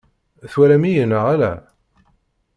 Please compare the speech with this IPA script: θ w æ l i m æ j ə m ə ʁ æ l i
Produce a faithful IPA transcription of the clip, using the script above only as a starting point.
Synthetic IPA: θ w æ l æ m i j ə n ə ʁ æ l æ